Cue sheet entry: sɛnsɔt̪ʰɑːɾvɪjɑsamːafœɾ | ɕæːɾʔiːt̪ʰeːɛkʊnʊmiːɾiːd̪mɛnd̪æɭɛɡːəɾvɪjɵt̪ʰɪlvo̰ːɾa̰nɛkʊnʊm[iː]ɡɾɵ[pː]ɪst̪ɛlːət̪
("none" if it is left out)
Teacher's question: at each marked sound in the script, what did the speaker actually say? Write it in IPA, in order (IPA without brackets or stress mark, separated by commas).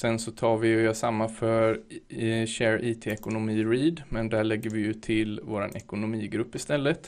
iː, pː